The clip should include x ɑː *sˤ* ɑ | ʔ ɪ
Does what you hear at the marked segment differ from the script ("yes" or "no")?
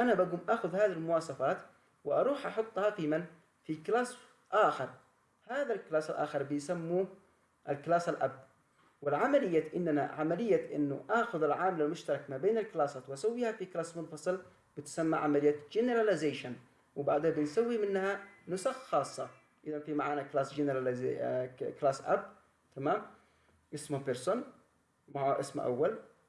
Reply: yes